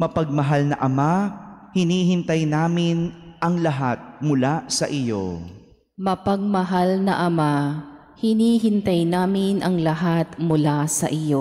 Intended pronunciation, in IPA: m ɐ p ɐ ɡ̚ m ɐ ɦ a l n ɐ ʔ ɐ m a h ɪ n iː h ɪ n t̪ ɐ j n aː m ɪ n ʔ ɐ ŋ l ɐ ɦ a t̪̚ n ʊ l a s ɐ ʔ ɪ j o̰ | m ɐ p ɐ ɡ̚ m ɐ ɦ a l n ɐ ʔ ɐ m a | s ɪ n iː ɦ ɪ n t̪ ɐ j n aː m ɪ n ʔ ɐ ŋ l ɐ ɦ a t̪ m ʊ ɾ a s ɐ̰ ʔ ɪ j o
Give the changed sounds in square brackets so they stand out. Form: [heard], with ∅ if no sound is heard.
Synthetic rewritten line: m ɐ p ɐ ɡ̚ m ɐ ɦ a l n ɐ ʔ ɐ m a h ɪ n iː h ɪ n t̪ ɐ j n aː m ɪ n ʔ ɐ ŋ l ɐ ɦ a t̪̚ [m] ʊ l a s ɐ ʔ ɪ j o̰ | m ɐ p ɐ ɡ̚ m ɐ ɦ a l n ɐ ʔ ɐ m a | [h] ɪ n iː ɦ ɪ n t̪ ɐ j n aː m ɪ n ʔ ɐ ŋ l ɐ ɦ a t̪ m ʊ [l] a s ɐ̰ ʔ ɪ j o